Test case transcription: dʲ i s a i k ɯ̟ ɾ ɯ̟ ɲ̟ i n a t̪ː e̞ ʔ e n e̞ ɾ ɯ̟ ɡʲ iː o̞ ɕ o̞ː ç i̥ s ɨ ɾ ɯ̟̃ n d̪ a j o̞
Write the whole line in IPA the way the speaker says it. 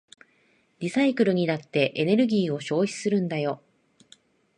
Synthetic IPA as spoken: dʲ i s a i k ɯ̟ ɾ ɯ̟ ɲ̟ i n a t̪ː e̞ ʔ e n e̞ ɾ ɯ̟ ɡʲ iː o̞ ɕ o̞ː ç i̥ s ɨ ɾ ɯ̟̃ n d̪ a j o̞